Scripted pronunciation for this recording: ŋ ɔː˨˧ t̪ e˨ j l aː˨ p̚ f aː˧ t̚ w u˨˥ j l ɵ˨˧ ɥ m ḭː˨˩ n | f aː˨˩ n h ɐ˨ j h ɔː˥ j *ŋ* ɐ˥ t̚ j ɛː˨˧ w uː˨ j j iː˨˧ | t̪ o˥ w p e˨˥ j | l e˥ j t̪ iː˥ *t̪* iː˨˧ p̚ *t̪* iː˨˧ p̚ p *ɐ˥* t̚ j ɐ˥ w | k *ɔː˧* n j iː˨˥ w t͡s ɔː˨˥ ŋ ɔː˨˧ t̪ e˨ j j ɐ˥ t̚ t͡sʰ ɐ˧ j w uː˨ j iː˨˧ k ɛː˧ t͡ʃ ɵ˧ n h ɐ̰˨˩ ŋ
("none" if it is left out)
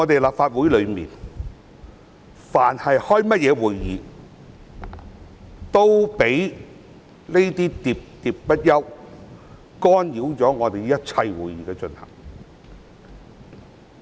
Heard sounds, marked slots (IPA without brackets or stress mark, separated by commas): m, t̪, t̪, ɐ˥, ɔː˥